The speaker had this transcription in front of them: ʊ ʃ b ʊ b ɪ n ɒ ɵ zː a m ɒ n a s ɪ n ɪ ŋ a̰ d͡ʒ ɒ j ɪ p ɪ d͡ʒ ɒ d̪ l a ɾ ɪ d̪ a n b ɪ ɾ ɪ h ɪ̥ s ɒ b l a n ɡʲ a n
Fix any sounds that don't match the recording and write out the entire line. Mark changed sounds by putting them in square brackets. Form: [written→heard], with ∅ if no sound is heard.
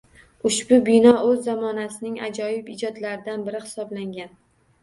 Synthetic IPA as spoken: ʊ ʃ b ʊ b ɪ n ɒ ɵ zː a m ɒ n a s ɪ n ɪ ŋ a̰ d͡ʒ ɒ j ɪ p ɪ d͡ʒ ɒ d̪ l a ɾ ɪ d̪ a n b ɪ ɾ ɪ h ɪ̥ s ɒ b l a [n→ŋ] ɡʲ a n